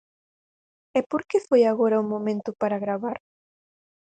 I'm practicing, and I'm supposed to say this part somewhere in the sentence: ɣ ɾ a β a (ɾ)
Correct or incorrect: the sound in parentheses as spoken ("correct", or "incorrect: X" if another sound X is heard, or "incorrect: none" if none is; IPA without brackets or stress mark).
correct